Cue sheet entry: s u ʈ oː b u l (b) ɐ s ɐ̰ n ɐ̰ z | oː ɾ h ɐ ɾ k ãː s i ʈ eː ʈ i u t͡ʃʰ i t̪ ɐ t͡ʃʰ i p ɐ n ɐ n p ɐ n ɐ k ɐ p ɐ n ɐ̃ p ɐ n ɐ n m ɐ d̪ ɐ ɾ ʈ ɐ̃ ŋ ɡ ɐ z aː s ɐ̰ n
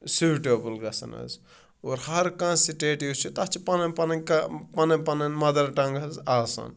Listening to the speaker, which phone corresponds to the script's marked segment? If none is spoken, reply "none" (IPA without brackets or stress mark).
ɡ